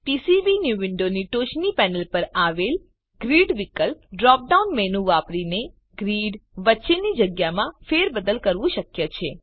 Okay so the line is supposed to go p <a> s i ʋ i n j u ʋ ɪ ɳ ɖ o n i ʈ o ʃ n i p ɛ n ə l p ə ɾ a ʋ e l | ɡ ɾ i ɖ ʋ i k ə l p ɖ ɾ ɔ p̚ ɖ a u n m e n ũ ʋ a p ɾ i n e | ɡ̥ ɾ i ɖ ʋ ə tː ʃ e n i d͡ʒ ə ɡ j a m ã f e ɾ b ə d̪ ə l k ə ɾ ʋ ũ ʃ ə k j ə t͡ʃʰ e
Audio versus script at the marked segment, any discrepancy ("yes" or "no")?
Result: yes